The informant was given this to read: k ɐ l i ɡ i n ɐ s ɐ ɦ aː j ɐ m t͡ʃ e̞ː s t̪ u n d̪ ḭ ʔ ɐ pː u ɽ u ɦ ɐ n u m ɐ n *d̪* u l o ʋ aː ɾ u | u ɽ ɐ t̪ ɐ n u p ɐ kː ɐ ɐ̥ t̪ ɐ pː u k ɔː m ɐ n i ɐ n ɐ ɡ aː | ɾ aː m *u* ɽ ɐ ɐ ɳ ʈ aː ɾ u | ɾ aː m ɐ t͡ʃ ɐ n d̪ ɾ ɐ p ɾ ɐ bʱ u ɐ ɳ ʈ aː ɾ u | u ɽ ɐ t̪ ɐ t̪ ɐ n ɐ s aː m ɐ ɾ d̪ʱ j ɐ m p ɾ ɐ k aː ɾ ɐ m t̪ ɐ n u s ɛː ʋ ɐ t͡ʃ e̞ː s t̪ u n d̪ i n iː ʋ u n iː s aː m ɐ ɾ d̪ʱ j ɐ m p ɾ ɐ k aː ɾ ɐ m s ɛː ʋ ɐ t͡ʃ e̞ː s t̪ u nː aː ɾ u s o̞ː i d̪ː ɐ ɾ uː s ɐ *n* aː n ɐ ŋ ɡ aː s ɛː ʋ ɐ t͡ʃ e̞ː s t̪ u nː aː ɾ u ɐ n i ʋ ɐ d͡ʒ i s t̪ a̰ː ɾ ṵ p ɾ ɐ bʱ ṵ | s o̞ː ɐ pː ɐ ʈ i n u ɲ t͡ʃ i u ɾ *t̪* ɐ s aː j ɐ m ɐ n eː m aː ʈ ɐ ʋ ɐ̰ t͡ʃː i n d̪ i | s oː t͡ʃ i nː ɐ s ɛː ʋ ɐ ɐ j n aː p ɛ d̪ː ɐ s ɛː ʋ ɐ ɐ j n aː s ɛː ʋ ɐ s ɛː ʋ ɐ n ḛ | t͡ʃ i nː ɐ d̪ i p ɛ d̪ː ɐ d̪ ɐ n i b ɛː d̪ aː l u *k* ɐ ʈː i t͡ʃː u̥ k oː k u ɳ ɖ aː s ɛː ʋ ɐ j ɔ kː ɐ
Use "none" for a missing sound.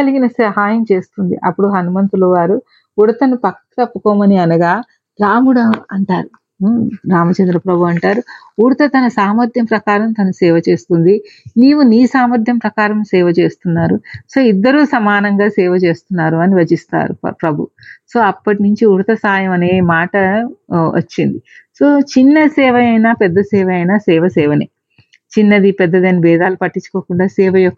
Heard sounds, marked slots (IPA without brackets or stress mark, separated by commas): t̪, u, m, t̪, p